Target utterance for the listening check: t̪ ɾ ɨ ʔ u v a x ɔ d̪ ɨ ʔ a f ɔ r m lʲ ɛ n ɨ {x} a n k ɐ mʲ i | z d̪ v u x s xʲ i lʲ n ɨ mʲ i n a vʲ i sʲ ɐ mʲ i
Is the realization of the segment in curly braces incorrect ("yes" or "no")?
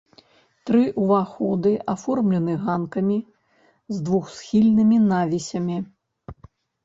yes